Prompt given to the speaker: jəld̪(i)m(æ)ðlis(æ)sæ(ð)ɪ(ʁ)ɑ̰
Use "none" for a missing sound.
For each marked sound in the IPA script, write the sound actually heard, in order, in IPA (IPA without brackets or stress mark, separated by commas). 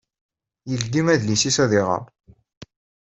i, æ, i, ð, ʁ